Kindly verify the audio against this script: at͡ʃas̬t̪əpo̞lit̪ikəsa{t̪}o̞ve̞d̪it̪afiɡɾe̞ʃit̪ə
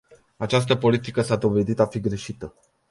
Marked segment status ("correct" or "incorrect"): incorrect